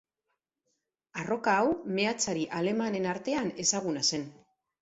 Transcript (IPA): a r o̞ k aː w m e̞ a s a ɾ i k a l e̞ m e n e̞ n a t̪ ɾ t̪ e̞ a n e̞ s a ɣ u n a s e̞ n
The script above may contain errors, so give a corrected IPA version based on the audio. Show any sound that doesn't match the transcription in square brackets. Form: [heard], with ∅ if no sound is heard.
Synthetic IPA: a r o̞ k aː w m e̞ a [t͡s] a ɾ i [ʔ] a l e̞ m [a] n e̞ n a [∅] ɾ t̪ e̞ a n e̞ s a ɣ u n a s e̞ n